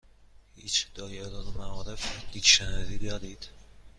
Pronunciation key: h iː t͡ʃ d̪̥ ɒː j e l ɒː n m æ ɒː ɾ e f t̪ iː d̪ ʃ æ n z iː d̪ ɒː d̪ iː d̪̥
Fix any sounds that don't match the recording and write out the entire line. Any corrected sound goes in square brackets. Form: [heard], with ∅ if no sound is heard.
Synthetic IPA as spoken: h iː t͡ʃ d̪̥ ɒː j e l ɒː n m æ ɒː ɾ e f [d̪] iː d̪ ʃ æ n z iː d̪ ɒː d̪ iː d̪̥